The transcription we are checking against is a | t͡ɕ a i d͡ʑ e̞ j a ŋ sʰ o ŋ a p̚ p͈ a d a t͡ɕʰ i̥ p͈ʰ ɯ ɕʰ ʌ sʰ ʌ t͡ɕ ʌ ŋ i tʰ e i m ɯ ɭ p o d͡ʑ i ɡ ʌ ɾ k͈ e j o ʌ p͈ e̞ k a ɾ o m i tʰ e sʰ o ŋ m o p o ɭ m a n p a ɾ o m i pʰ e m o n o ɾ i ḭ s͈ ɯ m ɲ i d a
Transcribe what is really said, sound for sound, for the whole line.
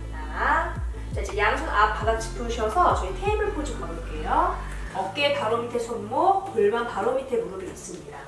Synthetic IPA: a | t͡ɕ a i d͡ʑ e̞ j a ŋ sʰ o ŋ a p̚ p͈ a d a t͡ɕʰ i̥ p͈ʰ ɯ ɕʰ ʌ sʰ ʌ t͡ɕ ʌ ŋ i tʰ e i m ɯ ɭ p o d͡ʑ i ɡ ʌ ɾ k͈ e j o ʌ k͈ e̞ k a ɾ o m i tʰ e sʰ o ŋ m o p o ɭ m a n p a ɾ o m i tʰ e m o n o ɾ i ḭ s͈ ɯ m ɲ i d a